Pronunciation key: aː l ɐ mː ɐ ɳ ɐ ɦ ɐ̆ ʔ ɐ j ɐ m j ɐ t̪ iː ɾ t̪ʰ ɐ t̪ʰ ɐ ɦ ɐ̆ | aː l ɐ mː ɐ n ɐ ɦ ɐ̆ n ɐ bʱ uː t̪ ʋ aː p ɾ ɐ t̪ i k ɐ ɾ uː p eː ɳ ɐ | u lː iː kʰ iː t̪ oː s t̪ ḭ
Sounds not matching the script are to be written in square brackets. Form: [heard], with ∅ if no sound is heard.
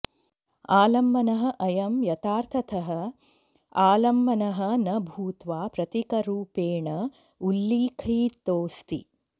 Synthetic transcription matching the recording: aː l ɐ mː ɐ [n] ɐ ɦ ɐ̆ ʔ ɐ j ɐ m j ɐ t̪ [aː] ɾ t̪ʰ ɐ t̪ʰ ɐ ɦ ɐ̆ | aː l ɐ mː ɐ n ɐ ɦ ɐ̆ n ɐ bʱ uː t̪ ʋ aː p ɾ ɐ t̪ i k ɐ ɾ uː p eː ɳ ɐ | u lː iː kʰ iː t̪ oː s t̪ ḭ